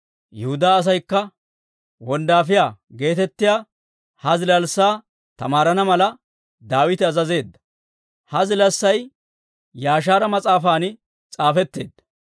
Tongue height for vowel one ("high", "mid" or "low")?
mid